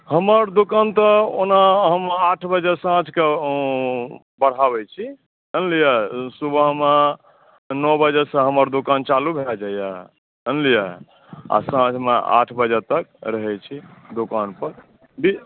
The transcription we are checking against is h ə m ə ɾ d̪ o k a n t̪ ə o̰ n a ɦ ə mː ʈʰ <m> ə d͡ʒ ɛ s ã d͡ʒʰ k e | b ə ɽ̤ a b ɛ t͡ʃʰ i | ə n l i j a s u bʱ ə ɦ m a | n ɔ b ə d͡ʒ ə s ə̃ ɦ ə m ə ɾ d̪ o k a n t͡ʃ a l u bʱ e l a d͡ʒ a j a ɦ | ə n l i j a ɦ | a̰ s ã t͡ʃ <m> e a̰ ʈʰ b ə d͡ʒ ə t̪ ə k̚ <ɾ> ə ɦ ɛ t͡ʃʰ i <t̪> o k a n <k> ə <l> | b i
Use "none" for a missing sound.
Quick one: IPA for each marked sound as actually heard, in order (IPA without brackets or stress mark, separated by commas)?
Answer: b, m, ɾ, d̪, p, ɾ